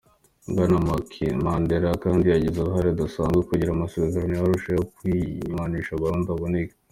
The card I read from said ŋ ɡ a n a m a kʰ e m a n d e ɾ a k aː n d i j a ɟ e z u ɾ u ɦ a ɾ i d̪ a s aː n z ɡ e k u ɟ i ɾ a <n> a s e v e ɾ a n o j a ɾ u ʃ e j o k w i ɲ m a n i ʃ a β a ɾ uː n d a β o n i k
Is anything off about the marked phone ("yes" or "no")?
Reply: yes